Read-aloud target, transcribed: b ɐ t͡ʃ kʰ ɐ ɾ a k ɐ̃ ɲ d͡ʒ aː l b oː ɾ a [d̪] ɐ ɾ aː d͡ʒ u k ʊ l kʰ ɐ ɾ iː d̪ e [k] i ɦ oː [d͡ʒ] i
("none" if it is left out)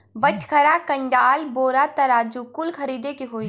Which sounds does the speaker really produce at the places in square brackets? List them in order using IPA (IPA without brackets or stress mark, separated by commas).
t̪, k, none